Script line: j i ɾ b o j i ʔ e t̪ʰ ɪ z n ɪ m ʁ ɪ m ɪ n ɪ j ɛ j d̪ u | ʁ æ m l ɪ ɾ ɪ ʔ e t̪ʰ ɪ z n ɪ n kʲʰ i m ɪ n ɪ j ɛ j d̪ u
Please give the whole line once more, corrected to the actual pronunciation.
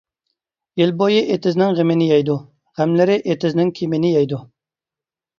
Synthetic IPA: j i l b o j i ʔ e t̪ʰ ɪ z n ɪ ŋ ʁ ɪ m ɪ n ɪ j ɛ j d̪ u | ʁ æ m l ɪ ɾ ɪ ʔ e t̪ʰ ɪ z n ɪ ŋ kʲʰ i m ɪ n ɪ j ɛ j d̪ u

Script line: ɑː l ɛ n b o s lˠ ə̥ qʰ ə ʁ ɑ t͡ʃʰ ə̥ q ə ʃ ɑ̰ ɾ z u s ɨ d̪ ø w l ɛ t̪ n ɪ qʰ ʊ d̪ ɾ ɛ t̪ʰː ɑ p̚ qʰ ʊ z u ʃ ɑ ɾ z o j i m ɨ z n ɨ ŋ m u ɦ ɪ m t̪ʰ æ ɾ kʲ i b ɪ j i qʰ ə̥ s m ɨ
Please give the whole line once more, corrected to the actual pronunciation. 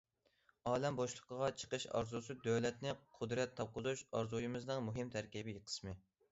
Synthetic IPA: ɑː l ɛ m b o ʃ lˠ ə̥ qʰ ə ʁ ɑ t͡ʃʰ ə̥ q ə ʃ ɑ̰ ɾ z u s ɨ d̪ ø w l ɛ t̪ n ɪ qʰ ʊ d̪ ɾ ɛ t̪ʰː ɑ p̚ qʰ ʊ z u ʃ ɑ ɾ z u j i m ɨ z n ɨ ŋ m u ɦ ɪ m t̪ʰ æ ɾ kʲ i b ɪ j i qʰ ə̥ s m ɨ

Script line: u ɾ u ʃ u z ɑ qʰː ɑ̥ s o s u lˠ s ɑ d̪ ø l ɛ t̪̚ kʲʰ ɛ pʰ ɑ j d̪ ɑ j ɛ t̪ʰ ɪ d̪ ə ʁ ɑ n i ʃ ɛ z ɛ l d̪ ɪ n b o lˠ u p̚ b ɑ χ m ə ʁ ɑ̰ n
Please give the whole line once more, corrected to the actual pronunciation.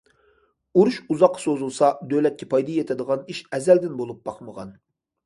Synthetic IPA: u ɾ u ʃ u z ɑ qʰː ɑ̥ s o z u lˠ s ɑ d̪ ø l ɛ t̪̚ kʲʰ ɛ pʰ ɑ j d̪ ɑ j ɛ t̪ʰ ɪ d̪ ə ʁ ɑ n i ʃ ɛ z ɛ l d̪ ɪ n b o lˠ u p̚ b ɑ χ m ə ʁ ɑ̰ n

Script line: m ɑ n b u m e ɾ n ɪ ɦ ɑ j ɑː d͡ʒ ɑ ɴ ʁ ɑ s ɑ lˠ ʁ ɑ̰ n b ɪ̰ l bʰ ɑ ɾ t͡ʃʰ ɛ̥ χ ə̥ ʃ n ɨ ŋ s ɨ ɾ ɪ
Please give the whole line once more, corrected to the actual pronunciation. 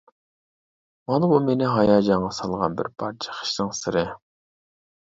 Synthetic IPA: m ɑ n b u m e n ɪ ɦ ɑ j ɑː d͡ʒ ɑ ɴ ʁ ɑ s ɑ lˠ ʁ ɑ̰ n b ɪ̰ ɾ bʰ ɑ ɾ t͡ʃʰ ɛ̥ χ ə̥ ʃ n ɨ ŋ s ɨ ɾ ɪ

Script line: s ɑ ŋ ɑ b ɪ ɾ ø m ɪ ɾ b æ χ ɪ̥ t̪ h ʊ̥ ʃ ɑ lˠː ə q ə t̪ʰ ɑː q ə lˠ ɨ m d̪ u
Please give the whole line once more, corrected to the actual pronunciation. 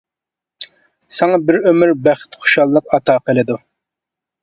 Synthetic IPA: s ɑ ŋ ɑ b ɪ ɾ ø m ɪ ɾ b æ χ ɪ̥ t̪ χ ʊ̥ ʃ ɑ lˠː ə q ɑ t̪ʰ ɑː q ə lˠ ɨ d̪ u

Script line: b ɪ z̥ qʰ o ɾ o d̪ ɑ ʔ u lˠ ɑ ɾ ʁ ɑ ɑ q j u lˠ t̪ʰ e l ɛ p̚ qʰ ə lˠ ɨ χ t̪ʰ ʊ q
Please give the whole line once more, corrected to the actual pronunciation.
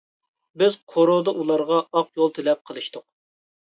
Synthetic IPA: b ɪ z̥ qʰ o ɾ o d̪ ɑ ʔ u lˠ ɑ ɾ ʁ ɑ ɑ q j o lˠ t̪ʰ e l ɛ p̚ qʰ ə lˠ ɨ ʃ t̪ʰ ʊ q

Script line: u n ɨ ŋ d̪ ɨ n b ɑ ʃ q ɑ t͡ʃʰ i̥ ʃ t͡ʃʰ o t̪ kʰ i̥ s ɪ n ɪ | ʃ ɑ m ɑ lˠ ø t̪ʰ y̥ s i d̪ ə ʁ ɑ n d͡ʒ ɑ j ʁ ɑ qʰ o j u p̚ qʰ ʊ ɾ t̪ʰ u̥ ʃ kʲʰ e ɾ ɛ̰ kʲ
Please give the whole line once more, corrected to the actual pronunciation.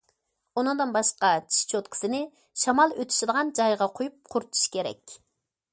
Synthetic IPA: u n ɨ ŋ d̪ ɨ n b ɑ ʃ q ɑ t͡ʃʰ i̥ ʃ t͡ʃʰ o t̪ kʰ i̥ s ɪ n ɪ | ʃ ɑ m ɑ lˠ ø t̪ʰ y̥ ʃ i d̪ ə ʁ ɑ n d͡ʒ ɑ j ʁ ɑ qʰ o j u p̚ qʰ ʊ ɾ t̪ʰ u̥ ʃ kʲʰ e ɾ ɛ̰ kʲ

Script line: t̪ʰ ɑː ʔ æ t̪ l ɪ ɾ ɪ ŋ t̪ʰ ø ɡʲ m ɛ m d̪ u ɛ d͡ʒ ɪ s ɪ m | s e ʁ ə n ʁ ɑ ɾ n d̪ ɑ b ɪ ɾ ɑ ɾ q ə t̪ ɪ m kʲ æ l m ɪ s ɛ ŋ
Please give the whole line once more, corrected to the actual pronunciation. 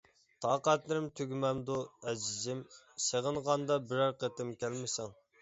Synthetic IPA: t̪ʰ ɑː q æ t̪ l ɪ ɾ ɪ m t̪ʰ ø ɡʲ m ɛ m d̪ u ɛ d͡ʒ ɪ z ɪ m | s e ʁ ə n ʁ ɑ n d̪ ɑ b ɪ ɾ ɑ ɾ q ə t̪ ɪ m kʲ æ l m ɪ s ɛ ŋ

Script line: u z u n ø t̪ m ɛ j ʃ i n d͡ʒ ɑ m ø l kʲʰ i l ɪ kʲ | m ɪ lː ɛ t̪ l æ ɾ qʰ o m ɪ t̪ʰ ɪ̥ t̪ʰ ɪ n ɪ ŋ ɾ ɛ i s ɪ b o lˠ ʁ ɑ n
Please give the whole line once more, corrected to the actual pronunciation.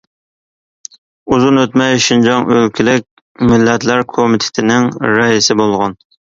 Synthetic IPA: u z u n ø t̪ m ɛ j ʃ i n d͡ʒ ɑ ŋ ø l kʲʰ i l ɪ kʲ | m ɪ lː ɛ t̪ l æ ɾ kʰ o m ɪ t̪ʰ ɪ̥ t̪ʰ ɪ n ɪ ŋ ɾ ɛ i s ɪ b o lˠ ʁ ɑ n

